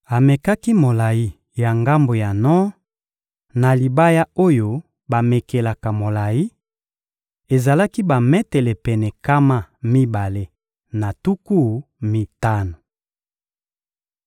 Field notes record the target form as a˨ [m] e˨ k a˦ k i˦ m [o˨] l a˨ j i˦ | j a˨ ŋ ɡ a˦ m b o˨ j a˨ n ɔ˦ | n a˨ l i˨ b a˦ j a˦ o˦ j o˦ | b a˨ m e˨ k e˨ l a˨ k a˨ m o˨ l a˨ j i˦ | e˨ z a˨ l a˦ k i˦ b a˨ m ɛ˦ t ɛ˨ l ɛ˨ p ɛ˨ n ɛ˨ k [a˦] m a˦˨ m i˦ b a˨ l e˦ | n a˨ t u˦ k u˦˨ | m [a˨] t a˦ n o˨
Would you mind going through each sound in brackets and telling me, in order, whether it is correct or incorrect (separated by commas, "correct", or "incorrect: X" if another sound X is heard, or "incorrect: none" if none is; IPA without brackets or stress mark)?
correct, correct, correct, incorrect: i˨